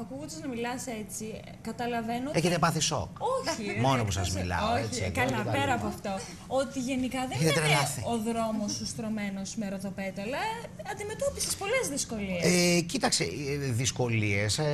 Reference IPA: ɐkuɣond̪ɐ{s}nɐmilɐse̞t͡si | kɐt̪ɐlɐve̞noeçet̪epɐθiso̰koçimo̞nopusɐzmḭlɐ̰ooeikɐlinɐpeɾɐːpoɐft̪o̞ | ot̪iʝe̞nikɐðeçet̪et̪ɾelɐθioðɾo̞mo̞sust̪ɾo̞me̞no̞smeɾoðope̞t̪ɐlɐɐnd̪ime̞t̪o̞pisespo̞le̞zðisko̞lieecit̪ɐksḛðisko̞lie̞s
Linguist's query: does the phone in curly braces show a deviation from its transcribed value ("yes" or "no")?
yes